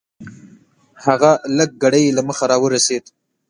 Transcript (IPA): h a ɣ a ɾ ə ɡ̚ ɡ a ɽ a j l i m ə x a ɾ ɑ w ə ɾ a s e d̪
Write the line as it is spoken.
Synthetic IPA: h a ɣ a l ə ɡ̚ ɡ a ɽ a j l a m ə x a ɾ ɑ w ə ɾ a s e d̪